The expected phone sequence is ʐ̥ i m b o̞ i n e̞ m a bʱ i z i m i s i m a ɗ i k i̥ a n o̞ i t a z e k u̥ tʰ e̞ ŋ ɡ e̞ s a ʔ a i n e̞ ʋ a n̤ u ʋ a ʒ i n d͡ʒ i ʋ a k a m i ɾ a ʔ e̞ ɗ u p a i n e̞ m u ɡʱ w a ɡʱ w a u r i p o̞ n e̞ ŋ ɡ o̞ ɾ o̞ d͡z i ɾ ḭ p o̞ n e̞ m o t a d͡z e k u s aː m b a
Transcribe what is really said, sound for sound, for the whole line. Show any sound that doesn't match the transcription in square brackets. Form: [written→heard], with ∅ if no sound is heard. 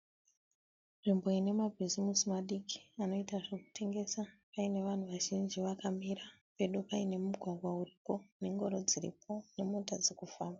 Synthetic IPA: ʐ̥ i m b o̞ i n e̞ m a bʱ i z i m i s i m a ɗ i k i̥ a n o̞ i t a [z→ʐ] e k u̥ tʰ e̞ ŋ ɡ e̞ s a [ʔ→p] a i n e̞ ʋ a n̤ u ʋ a ʒ i n d͡ʒ i ʋ a k a m i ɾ a [ʔ→p] e̞ ɗ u p a i n e̞ m u ɡʱ w a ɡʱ w a u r i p o̞ n e̞ ŋ ɡ o̞ ɾ o̞ d͡z i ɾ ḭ p o̞ n e̞ m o t a d͡z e k u [s→f] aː m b a